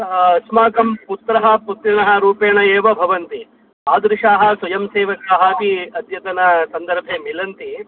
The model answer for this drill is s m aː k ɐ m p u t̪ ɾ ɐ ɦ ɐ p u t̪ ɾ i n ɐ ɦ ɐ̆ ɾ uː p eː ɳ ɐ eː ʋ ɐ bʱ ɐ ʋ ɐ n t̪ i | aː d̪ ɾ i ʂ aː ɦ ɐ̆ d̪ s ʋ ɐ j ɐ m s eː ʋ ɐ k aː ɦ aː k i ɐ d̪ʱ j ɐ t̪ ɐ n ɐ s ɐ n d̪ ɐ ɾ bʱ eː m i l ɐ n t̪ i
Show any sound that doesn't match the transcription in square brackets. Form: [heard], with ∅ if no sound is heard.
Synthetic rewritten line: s m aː k ɐ m p u t̪ ɾ ɐ ɦ ɐ p u t̪ ɾ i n ɐ ɦ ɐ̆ ɾ uː p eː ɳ ɐ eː ʋ ɐ bʱ ɐ ʋ ɐ n t̪ i | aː d̪ ɾ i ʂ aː ɦ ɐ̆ [∅] s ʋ ɐ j ɐ m s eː ʋ ɐ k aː ɦ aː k i ɐ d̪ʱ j ɐ t̪ ɐ n ɐ s ɐ n d̪ ɐ ɾ bʱ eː m i l ɐ n t̪ i

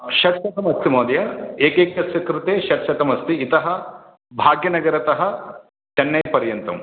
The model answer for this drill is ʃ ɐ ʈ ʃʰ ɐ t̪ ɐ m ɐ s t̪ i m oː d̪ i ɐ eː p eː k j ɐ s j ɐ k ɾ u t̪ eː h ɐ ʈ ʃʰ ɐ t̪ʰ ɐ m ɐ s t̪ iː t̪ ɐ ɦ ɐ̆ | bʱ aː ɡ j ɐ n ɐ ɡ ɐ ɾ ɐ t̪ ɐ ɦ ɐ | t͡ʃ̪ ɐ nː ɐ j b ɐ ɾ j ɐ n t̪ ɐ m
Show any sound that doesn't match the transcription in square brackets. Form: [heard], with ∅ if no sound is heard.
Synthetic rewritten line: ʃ ɐ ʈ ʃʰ ɐ t̪ ɐ m ɐ s t̪ i m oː d̪ [j] ɐ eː [k] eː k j ɐ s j ɐ k ɾ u t̪ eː [ʃ] ɐ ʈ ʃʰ ɐ [t̪] ɐ m ɐ s t̪ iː t̪ ɐ ɦ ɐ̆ | bʱ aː ɡ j ɐ n ɐ ɡ ɐ ɾ ɐ t̪ ɐ ɦ ɐ | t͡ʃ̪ ɐ nː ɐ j [p] ɐ ɾ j ɐ n t̪ ɐ m

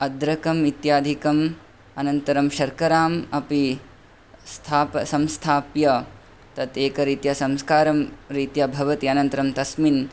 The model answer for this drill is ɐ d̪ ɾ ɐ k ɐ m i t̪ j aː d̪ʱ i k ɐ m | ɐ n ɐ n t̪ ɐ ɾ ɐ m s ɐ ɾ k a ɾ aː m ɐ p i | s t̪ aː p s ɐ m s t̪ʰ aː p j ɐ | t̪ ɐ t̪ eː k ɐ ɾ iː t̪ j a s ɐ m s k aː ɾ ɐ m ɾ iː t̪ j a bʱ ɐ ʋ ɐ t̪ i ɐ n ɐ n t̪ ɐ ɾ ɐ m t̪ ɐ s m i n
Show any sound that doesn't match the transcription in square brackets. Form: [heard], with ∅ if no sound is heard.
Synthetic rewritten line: ɐ d̪ ɾ ɐ k ɐ m i t̪ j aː d̪ʱ i k ɐ m | ɐ n ɐ n t̪ ɐ ɾ ɐ m [ʃ] ɐ ɾ k [ɐ] ɾ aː m ɐ p i | s [t̪ʰ] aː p s ɐ m s t̪ʰ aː p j ɐ | t̪ ɐ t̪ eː k ɐ ɾ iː t̪ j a s ɐ m s k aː ɾ ɐ m ɾ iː t̪ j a bʱ ɐ ʋ ɐ t̪ i ɐ n ɐ n t̪ ɐ ɾ ɐ m t̪ ɐ s m i n

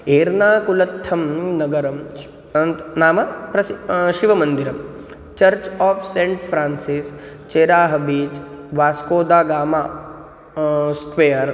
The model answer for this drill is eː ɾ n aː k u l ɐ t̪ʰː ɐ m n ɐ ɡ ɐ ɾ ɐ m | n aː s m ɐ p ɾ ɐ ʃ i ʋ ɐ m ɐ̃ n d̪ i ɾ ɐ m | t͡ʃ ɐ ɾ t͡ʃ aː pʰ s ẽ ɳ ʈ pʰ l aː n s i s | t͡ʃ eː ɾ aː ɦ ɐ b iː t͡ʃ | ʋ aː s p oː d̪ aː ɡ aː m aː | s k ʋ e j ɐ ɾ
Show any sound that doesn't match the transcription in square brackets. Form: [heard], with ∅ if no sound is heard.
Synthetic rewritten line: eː ɾ n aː k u l ɐ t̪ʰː ɐ m n ɐ ɡ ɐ ɾ ɐ m | n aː [∅] m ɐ p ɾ ɐ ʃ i ʋ ɐ m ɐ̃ n d̪ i ɾ ɐ m | t͡ʃ ɐ ɾ t͡ʃ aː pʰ s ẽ ɳ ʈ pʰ [ɾ] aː n s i s | t͡ʃ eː ɾ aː ɦ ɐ b iː t͡ʃ | ʋ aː s [k] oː d̪ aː ɡ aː m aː | s k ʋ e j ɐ ɾ

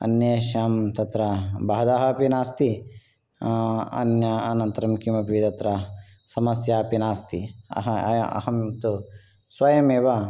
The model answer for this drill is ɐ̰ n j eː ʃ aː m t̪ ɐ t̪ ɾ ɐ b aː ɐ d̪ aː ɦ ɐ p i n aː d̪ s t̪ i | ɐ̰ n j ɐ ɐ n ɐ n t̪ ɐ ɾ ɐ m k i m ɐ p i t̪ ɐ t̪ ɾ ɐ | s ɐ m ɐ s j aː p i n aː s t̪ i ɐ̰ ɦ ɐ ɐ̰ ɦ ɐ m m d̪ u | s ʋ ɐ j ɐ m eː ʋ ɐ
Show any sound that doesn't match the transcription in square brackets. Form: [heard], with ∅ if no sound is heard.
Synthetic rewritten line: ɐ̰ n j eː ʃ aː m t̪ ɐ t̪ ɾ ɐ b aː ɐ d̪ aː ɦ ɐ p i n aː [∅] s t̪ i | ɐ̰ n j ɐ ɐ n ɐ n t̪ ɐ ɾ ɐ m k i m ɐ p i t̪ ɐ t̪ ɾ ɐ | s ɐ m ɐ s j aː p i n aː s t̪ i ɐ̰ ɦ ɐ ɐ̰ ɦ ɐ m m [t̪] u | s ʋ ɐ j ɐ m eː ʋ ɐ

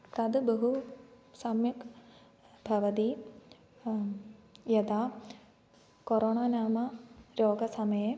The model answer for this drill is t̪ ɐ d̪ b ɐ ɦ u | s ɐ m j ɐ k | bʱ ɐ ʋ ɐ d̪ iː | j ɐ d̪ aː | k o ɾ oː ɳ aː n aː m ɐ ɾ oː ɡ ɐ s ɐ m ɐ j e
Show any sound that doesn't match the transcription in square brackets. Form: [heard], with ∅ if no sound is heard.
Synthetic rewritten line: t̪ ɐ d̪ b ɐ ɦ u | s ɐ m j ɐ k | bʱ ɐ ʋ ɐ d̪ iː | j ɐ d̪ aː | k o ɾ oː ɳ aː n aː m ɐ ɾ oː ɡ ɐ s ɐ m ɐ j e

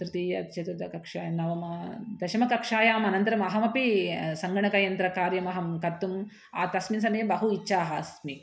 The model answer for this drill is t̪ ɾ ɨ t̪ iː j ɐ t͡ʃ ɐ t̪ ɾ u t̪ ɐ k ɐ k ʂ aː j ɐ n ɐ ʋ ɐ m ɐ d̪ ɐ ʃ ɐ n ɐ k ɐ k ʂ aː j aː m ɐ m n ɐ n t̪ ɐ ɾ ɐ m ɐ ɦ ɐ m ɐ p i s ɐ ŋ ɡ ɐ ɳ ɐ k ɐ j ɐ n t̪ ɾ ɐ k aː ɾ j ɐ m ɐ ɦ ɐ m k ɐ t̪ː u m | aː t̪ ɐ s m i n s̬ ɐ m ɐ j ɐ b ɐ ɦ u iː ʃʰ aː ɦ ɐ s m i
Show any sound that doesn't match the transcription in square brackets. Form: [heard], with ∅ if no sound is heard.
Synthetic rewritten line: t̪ ɾ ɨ t̪ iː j ɐ t͡ʃ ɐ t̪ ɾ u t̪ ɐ k ɐ k ʂ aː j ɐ n ɐ ʋ ɐ m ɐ d̪ ɐ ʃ ɐ [m] ɐ k ɐ k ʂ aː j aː m ɐ [∅] n ɐ n t̪ ɐ ɾ ɐ m ɐ ɦ ɐ m ɐ p i s ɐ ŋ ɡ ɐ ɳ ɐ k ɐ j ɐ n t̪ ɾ ɐ k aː ɾ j ɐ m ɐ ɦ ɐ m k ɐ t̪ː u m | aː t̪ ɐ s m i n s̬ ɐ m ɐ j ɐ b ɐ ɦ u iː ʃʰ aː ɦ ɐ s m i

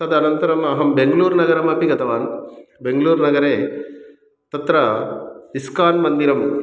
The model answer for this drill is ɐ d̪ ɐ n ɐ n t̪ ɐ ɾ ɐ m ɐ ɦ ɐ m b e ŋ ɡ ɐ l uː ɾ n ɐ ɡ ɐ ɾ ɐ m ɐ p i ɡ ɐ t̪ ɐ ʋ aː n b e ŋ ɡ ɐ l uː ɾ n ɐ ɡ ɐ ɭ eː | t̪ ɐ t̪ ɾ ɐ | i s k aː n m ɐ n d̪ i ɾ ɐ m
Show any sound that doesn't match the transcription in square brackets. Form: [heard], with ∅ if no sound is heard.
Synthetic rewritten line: ɐ d̪ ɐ n ɐ n t̪ ɐ ɾ ɐ m ɐ ɦ ɐ m b e ŋ ɡ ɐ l uː ɾ n ɐ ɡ ɐ ɾ ɐ m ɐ p i ɡ ɐ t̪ ɐ ʋ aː n b e ŋ ɡ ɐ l uː ɾ n ɐ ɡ ɐ [ɾ] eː | t̪ ɐ t̪ ɾ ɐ | i s k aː n m ɐ n d̪ i ɾ ɐ m

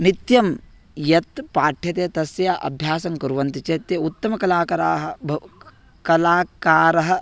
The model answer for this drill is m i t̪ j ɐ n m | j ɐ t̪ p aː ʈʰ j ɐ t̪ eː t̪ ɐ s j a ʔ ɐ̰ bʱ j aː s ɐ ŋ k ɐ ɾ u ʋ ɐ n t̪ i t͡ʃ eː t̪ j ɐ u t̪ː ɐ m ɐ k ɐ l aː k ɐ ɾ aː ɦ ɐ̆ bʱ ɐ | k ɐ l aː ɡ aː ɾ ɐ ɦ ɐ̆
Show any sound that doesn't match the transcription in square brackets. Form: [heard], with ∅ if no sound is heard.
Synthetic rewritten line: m i t̪ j ɐ [∅] m | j ɐ t̪ p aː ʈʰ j ɐ t̪ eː t̪ ɐ s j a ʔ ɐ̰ bʱ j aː s ɐ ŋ k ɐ ɾ u ʋ ɐ n t̪ i t͡ʃ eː t̪ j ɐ u t̪ː ɐ m ɐ k ɐ l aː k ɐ ɾ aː ɦ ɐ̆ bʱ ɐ | k ɐ l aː [k] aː ɾ ɐ ɦ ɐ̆

